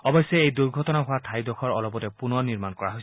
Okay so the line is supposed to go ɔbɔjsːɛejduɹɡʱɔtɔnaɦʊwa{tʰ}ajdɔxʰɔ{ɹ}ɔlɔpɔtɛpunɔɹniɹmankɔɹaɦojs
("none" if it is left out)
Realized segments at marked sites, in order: tʰ, ɹ

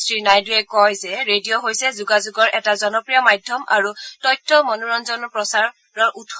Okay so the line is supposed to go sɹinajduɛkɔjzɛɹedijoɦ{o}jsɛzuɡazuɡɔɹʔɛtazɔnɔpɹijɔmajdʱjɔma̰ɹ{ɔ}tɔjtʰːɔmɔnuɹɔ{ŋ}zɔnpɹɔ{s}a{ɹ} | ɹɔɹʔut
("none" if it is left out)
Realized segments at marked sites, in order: o, u, n, s, ɹ

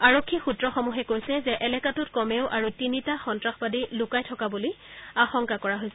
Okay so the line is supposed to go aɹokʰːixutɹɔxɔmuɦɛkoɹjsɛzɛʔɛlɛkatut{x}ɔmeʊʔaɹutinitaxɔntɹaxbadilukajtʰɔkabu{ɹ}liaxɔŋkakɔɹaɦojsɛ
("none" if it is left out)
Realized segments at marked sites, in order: k, none

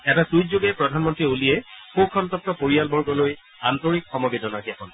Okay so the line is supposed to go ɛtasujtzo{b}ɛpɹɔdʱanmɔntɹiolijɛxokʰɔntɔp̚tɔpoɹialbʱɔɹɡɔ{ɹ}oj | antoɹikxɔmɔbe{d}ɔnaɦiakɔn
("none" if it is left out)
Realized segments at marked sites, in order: ɡ, l, d

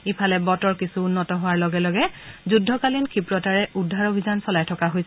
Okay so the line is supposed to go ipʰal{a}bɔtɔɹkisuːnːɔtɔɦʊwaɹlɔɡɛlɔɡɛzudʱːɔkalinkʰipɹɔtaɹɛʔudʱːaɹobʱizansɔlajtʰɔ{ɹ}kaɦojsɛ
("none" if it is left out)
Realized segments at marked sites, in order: ɛ, none

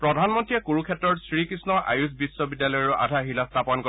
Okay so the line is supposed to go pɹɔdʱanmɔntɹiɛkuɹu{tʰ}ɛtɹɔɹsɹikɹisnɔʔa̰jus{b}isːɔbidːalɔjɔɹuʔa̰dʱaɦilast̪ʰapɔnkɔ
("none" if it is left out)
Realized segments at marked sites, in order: kʰ, b

